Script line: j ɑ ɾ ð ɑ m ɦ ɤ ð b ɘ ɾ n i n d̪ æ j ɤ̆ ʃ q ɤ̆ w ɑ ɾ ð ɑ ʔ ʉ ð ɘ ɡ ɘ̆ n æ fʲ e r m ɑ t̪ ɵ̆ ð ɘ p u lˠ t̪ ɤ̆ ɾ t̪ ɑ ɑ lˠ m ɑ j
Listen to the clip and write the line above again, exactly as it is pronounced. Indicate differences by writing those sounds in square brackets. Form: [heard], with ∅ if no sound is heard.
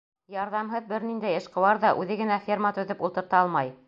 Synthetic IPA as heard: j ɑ ɾ ð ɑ m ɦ ɤ ð b ɘ ɾ n i n d̪ æ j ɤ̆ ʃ q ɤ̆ w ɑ ɾ ð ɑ ʔ ʉ ð ɘ ɡ ɘ̆ n æ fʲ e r m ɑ t̪ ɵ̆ ð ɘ p u lˠ t̪ ɤ̆ ɾ t̪ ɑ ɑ lˠ m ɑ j